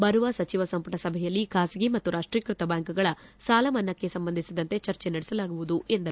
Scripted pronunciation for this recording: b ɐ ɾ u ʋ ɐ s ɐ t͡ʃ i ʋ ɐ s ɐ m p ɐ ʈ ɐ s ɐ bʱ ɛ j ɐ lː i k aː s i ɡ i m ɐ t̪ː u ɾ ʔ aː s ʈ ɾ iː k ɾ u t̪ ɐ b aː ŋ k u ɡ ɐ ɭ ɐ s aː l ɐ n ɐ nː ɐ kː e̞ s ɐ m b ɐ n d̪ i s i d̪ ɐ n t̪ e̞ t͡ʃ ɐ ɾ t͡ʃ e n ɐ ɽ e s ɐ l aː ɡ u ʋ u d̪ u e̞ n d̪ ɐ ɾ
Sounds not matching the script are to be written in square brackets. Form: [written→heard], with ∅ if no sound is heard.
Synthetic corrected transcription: b ɐ ɾ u ʋ ɐ s ɐ t͡ʃ i ʋ ɐ s ɐ m p ɐ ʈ ɐ s ɐ bʱ ɛ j ɐ lː i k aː s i ɡ i m ɐ t̪ː u ɾ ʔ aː [s→ʂ] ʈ ɾ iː k ɾ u t̪ ɐ b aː ŋ k u ɡ ɐ ɭ ɐ s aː l ɐ [n→m] ɐ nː ɐ kː e̞ s ɐ m b ɐ n d̪ i s i d̪ ɐ n t̪ e̞ t͡ʃ ɐ ɾ t͡ʃ e n ɐ ɽ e s ɐ l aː ɡ u ʋ u d̪ u e̞ n d̪ ɐ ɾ